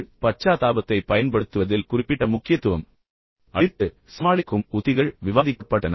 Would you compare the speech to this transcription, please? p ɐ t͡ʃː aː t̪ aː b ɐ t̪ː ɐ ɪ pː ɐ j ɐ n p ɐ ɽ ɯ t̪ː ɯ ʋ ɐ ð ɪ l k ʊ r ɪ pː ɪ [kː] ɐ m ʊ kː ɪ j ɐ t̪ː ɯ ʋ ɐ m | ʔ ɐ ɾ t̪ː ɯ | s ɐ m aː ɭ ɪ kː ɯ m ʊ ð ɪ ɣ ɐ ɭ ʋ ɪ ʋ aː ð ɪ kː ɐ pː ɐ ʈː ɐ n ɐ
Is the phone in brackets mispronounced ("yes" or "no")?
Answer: yes